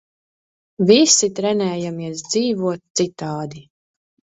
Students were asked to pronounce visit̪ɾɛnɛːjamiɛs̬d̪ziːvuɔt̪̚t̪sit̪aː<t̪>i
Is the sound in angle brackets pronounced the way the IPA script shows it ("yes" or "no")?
no